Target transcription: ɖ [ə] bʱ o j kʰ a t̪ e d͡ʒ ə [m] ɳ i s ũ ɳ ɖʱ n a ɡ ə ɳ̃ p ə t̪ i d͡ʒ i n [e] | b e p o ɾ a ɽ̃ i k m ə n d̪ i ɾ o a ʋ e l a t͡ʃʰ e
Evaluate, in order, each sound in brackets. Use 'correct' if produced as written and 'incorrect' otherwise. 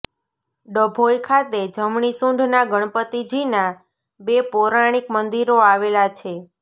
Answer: correct, correct, incorrect: a

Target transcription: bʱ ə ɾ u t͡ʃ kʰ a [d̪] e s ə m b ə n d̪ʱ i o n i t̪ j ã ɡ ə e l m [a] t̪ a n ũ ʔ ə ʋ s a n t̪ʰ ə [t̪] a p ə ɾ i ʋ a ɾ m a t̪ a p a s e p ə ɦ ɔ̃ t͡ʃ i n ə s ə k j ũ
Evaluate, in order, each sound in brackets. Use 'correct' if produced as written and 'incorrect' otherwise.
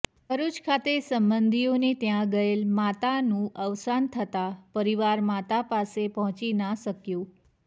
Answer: incorrect: t̪, correct, correct

